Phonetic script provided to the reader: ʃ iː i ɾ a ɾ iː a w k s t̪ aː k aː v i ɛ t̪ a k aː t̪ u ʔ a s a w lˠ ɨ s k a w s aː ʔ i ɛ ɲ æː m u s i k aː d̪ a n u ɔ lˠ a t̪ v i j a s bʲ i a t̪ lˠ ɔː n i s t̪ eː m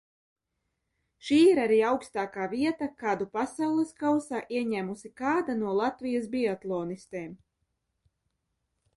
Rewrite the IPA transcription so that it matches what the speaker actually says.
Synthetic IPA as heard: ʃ iː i ɾ a ɾ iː a w k s t̪ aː k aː v i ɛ t̪ a k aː d̪ u p a s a w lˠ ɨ s k a w s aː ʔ i ɛ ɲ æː m u s i k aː d̪ a n u ɔ lˠ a t̪ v i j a s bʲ i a t̪ lˠ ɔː n i s t̪ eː m